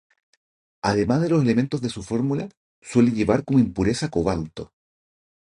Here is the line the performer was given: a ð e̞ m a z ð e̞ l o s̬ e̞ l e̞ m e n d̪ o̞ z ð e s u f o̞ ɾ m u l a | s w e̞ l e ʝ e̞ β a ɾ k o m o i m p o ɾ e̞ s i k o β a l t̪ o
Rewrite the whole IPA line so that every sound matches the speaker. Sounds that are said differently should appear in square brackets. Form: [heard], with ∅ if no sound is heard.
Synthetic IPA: a ð e̞ m a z ð e̞ l o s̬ e̞ l e̞ m e n [t̪] o̞ z ð e s u f o̞ ɾ m u l a | s w e̞ l e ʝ e̞ β a ɾ k o m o i m p [u] ɾ e̞ s [a] k o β a l t̪ o